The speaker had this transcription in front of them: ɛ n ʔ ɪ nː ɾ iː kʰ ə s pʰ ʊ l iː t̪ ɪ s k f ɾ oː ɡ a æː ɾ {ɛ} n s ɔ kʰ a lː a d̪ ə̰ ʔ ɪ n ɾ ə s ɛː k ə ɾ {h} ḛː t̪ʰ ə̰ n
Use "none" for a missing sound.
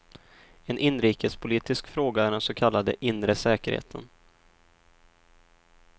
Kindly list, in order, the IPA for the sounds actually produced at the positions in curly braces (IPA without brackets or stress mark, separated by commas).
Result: ɛ, h